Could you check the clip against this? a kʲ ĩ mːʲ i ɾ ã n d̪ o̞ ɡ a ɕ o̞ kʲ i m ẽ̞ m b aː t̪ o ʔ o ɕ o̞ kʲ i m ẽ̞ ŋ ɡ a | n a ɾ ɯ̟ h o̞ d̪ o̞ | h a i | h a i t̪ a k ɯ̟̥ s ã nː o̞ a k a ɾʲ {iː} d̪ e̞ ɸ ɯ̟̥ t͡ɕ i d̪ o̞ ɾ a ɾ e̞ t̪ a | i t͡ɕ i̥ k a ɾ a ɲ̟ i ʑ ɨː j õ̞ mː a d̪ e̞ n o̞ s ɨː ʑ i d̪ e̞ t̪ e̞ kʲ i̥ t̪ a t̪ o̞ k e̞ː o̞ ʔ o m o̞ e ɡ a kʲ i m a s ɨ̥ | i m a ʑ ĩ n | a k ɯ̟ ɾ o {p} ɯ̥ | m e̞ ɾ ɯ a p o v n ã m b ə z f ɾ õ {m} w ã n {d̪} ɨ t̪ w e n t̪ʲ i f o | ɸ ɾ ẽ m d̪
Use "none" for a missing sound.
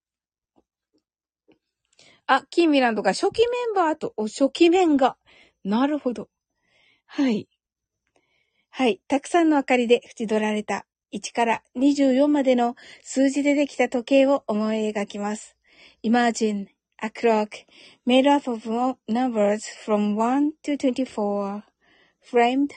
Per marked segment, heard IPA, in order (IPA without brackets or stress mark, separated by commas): i, k, m, t̪